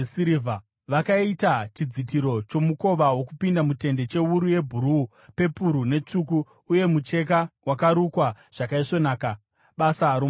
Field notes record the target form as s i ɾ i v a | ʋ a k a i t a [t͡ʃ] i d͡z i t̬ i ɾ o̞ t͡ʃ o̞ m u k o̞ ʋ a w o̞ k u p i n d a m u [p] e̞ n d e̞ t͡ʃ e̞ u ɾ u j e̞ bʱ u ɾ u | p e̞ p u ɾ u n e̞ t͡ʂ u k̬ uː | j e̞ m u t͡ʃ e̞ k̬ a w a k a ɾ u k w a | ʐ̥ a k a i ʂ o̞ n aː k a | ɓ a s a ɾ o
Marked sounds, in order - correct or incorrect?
correct, incorrect: t

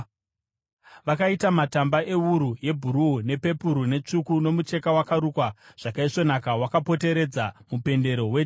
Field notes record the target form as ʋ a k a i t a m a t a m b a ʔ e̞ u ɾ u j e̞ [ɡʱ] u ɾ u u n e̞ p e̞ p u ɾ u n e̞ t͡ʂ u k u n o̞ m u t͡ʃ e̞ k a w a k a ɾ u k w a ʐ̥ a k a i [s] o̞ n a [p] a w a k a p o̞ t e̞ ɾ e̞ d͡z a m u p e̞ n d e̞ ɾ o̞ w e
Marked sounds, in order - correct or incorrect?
incorrect: bʱ, incorrect: ʂ, incorrect: k

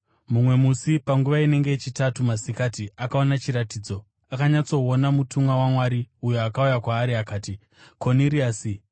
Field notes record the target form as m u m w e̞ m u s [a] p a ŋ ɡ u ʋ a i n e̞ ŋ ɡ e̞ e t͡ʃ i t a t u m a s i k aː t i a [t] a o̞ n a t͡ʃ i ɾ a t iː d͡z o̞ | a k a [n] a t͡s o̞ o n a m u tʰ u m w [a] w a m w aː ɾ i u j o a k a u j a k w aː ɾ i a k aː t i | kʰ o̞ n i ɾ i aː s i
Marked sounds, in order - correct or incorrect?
incorrect: i, incorrect: k, incorrect: ɲ, correct

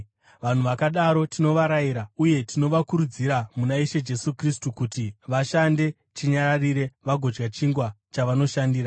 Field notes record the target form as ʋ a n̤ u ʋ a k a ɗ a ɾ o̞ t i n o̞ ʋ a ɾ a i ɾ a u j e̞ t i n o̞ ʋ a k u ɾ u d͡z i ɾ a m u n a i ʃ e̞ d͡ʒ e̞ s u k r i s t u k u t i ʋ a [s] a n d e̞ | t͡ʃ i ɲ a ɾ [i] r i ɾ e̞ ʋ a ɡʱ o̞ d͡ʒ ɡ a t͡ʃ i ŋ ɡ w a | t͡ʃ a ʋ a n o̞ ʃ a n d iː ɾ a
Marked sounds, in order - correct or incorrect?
incorrect: ʃ, incorrect: a

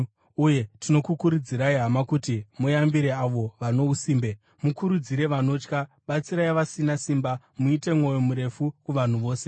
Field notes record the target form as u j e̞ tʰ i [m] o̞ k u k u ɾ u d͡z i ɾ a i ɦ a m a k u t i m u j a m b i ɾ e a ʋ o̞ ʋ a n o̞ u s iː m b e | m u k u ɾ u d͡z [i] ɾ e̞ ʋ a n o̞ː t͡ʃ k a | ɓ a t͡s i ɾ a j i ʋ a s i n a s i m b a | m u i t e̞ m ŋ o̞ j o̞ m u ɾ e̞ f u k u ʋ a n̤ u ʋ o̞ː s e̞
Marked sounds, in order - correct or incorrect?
incorrect: n, correct

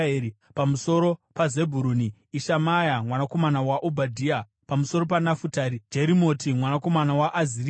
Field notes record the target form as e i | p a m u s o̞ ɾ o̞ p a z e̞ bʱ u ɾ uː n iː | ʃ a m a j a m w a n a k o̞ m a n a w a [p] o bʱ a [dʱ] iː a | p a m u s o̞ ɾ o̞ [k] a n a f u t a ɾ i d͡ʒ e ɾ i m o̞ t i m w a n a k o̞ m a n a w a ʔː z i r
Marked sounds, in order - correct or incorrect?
incorrect: ʔ, correct, incorrect: p

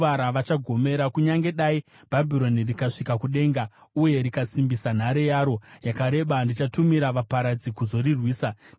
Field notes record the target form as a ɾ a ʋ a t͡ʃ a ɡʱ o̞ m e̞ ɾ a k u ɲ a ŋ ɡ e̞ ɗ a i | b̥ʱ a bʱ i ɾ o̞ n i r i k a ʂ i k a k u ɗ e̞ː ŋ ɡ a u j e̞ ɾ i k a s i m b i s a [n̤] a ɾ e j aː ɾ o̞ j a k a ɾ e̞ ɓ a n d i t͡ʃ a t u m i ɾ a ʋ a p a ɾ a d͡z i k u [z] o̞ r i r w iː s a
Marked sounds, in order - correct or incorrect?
correct, correct

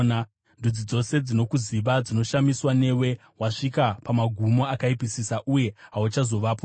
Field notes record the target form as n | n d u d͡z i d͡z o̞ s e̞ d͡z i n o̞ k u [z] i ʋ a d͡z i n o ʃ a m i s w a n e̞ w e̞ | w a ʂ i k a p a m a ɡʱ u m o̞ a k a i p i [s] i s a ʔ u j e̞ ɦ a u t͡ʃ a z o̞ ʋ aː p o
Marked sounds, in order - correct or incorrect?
correct, correct

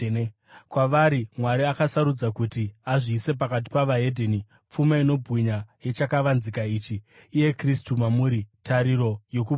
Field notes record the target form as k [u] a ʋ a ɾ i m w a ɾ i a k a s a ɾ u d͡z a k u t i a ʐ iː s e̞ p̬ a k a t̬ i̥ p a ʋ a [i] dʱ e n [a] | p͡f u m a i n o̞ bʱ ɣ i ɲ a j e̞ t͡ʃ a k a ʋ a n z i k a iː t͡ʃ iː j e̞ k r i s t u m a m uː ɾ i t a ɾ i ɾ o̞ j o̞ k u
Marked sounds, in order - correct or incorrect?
incorrect: w, incorrect: e, incorrect: i

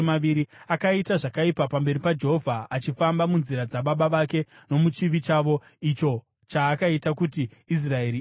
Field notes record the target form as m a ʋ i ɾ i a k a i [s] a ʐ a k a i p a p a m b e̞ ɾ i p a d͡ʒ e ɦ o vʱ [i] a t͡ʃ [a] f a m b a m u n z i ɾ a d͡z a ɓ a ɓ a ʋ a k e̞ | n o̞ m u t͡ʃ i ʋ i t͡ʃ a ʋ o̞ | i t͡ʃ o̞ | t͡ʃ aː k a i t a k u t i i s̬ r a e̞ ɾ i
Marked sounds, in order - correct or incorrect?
incorrect: t, incorrect: a, incorrect: i

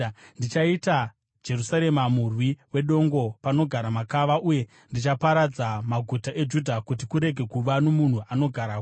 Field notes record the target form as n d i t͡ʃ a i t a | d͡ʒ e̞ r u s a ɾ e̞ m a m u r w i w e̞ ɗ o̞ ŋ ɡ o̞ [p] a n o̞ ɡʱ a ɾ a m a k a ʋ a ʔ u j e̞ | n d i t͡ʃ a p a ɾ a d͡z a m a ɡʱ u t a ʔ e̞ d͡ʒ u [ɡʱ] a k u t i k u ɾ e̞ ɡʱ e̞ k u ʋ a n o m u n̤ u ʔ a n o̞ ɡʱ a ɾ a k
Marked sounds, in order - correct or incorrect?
correct, incorrect: dʱ

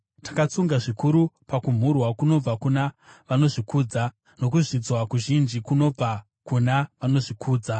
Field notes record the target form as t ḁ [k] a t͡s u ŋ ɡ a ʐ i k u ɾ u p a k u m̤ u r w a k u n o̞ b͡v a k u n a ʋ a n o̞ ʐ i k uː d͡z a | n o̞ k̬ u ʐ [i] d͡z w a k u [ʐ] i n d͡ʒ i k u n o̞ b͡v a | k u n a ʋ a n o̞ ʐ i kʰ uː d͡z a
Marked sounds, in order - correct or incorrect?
correct, correct, incorrect: ʒ

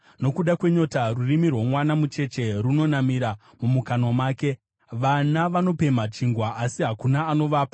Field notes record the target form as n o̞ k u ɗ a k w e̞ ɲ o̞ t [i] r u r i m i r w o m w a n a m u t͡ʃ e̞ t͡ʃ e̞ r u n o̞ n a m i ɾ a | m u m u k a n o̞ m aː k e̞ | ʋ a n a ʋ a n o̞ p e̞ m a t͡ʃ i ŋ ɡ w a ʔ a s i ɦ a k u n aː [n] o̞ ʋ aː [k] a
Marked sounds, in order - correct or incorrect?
incorrect: a, correct, incorrect: p

